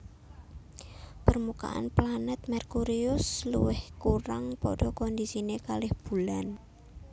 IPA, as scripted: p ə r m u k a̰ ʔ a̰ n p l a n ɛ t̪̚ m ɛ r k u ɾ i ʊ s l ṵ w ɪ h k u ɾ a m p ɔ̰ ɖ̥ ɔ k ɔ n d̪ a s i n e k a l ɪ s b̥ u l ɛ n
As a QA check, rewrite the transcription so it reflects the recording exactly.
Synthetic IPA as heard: p ə r m u k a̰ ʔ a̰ n p l a n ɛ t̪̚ m ɛ r k u ɾ i ʊ s l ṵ w ɪ h k u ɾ a ŋ p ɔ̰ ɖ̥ ɔ k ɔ n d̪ i s i n e k a l ɪ h b̥ u l a n

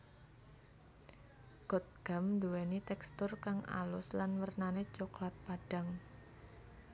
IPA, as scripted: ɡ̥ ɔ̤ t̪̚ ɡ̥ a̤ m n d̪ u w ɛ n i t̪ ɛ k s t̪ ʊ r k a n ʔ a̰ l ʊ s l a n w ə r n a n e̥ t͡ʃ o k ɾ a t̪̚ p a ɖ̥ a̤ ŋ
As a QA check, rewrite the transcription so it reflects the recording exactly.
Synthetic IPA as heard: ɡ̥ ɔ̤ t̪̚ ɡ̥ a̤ m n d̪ u w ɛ n i t̪ ɛ k s t̪ ʊ r k a ŋ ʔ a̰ l ʊ s l a n w ə r n a n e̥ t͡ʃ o k l a t̪̚ p a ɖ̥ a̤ ŋ

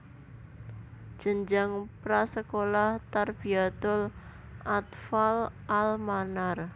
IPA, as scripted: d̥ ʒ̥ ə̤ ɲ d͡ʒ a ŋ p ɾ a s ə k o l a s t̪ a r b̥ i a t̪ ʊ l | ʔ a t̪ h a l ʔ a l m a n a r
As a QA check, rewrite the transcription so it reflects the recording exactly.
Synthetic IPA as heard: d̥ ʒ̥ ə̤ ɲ d͡ʒ a ŋ p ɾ a s ə k o l a h t̪ a r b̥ i a t̪ ʊ l | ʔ a t̪ f a l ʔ a l m a n a r

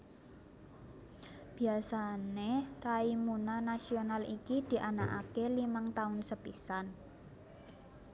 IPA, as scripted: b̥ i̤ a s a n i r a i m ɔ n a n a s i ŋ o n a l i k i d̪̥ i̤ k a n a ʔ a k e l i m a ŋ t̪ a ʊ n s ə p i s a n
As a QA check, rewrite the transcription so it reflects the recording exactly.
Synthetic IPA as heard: b̥ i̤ a s a n e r a i m u n a n a s i o n a l i k i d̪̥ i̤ ʔ a n a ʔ a k e l i m a ŋ t̪ a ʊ n s ə p i s a n

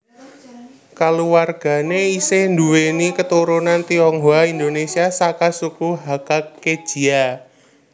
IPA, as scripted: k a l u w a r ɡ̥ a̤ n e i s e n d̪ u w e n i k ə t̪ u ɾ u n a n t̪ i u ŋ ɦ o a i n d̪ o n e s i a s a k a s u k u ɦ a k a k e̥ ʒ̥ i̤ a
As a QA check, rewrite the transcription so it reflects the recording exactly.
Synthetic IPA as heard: k a l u w a r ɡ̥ a̤ n e i s e n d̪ u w e n i k ə t̪ u ɾ u n a n t̪ i ɔ ŋ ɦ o a i n d̪ o n e s i a s a k a s u k u ɦ a k a k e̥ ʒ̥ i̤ a

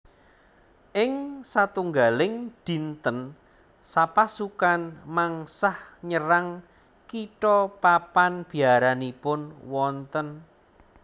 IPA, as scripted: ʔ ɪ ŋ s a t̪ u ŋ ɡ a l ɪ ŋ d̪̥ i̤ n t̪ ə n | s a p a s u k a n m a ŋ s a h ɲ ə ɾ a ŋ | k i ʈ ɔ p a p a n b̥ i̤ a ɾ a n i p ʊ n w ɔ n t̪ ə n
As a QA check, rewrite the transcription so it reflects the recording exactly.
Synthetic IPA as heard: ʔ ɪ ŋ s a t̪ u ŋ ɡ a l ɪ ŋ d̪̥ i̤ n t̪ ə n | s a p a s u k a n m a ŋ s a h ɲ ə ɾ a ŋ | k i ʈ ɔ p a p a n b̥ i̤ a ɾ a n i p ʊ n w ɔ n t̪ ə n

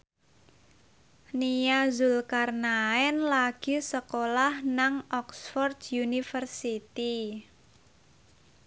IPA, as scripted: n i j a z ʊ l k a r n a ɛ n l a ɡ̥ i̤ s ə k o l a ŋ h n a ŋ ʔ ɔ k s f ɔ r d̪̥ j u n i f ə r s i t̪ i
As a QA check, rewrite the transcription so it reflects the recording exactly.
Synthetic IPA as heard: n i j a z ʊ l k a r n a ɛ n l a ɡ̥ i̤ s ə k o l a h n a ŋ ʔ ɔ k s f ɔ r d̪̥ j u n i f ə r s i t̪ i

